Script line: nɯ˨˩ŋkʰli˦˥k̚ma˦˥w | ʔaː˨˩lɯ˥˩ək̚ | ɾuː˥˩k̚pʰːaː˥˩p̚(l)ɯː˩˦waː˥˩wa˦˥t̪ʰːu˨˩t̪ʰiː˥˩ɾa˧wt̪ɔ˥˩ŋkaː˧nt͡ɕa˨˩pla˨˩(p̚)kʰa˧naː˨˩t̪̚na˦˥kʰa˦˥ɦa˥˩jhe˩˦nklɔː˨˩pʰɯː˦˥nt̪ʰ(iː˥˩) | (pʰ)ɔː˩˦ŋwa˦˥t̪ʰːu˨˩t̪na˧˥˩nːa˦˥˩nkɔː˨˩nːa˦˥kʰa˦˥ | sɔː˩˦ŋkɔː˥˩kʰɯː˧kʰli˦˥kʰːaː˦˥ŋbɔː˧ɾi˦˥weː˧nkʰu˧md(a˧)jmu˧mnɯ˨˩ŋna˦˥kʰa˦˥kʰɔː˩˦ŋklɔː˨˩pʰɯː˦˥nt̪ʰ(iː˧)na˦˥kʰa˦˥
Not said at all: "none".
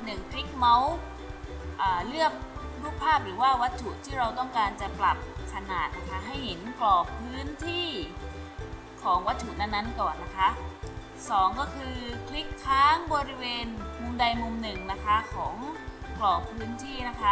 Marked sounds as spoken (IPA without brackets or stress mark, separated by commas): ɾ, p̚, iː˥˩, kʰ, a˧, iː˥˩